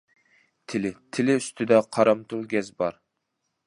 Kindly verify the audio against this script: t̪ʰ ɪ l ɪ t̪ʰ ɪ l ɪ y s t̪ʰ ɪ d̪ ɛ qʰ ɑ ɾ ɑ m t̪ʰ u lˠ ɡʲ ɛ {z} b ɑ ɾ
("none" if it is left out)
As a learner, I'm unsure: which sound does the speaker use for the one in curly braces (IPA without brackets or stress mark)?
z